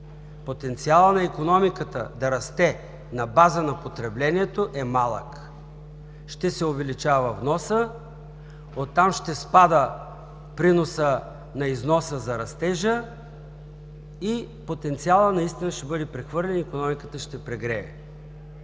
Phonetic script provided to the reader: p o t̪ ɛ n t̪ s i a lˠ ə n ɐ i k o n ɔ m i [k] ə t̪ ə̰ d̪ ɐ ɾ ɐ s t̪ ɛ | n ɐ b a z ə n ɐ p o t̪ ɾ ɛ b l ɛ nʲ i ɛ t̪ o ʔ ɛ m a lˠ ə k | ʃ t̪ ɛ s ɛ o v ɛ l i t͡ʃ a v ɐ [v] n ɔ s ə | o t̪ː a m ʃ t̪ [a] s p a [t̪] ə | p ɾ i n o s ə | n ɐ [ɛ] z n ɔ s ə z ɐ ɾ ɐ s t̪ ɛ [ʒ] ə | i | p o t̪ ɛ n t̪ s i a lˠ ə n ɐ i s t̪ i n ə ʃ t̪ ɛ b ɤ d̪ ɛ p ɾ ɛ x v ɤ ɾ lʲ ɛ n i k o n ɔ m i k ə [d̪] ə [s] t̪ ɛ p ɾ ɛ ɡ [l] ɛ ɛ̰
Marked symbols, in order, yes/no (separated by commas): yes, yes, no, no, no, yes, no, no, no